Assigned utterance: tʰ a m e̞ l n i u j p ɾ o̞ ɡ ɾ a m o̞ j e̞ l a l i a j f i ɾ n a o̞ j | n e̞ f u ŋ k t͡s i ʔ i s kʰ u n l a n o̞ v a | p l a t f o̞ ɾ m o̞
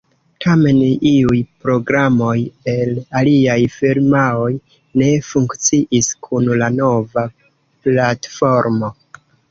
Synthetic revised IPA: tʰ a m e̞ n i u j p ɾ o̞ ɡ ɾ a m o̞ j e̞ l a l i a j f i ɾ m a o̞ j | n e̞ f u ŋ k t͡s i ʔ i s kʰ u n l a n o̞ v a | p l a t f o̞ ɾ m o̞